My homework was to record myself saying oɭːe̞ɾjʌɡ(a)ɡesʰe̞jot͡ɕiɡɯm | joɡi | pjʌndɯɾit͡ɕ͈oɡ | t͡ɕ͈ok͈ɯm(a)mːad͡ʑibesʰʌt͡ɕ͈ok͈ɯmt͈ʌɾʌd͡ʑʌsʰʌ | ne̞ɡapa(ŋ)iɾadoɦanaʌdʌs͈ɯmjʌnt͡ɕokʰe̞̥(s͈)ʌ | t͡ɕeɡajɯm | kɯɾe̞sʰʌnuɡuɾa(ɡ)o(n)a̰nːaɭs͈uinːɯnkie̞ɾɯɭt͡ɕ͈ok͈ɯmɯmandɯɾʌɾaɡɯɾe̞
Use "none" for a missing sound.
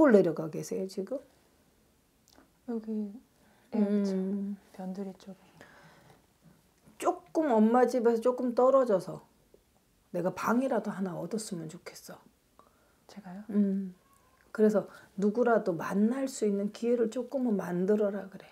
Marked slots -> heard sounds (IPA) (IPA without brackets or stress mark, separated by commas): a, ʌ, ŋ, s͈, d, m